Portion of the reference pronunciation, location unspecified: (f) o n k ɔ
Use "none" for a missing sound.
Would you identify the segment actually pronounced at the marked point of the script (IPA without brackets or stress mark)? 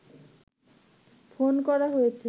f